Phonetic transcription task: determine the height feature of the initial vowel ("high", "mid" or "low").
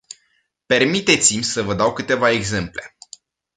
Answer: mid